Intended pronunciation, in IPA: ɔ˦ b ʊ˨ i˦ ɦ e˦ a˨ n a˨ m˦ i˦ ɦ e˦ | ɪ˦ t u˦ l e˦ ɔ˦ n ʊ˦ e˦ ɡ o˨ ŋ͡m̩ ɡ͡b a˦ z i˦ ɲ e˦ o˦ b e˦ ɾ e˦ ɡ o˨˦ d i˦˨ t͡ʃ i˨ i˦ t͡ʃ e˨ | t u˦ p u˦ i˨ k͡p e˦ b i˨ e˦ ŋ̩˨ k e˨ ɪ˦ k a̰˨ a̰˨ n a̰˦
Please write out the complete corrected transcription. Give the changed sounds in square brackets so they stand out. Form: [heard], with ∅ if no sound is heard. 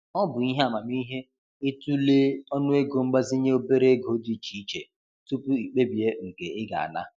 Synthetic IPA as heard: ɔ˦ b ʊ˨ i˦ ɦ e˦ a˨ [m] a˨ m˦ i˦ ɦ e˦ | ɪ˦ t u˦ l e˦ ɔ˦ n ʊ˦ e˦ ɡ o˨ ŋ͡m̩ ɡ͡b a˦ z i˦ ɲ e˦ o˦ b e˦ ɾ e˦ ɡ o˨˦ d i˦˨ t͡ʃ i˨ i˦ t͡ʃ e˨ | t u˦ p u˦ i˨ k͡p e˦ b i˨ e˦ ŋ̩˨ k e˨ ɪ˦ [ɡ] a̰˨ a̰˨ n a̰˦